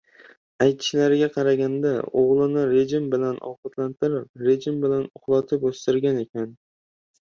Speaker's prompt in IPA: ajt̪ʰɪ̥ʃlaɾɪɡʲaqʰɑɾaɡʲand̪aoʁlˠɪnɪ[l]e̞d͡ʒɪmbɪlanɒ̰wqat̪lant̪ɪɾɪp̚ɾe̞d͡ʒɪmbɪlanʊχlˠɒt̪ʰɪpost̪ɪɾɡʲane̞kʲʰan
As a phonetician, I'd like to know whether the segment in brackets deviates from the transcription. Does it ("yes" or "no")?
yes